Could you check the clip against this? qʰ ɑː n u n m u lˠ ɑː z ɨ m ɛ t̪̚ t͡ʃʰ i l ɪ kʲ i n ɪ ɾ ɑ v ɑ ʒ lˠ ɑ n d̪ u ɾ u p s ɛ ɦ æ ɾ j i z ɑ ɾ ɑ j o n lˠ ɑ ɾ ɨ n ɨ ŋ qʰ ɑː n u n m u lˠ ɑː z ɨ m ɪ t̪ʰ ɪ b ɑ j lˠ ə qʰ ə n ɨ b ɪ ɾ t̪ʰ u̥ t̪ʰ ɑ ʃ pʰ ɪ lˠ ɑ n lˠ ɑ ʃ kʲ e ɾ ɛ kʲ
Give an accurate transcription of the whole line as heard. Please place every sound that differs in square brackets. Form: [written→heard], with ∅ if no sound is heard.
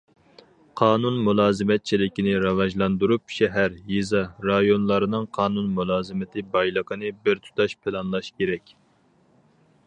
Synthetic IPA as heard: qʰ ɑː n u n m u lˠ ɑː z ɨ m ɛ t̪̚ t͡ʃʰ i l ɪ kʲ i n ɪ ɾ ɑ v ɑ ʒ lˠ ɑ n d̪ u ɾ u p [s→ʃ] ɛ ɦ æ ɾ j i z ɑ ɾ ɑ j o n lˠ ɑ ɾ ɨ n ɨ ŋ qʰ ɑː n u n m u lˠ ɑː z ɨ m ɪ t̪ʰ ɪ b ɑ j lˠ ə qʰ ə n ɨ b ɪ ɾ t̪ʰ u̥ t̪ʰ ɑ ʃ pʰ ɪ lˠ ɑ n lˠ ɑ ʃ kʲ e ɾ ɛ kʲ